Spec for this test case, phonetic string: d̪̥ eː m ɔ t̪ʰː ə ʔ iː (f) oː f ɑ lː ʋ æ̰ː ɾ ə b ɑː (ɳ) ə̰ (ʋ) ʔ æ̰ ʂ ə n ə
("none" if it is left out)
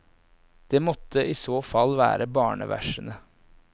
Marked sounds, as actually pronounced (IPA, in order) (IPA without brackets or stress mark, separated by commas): s, ɳ, ʋ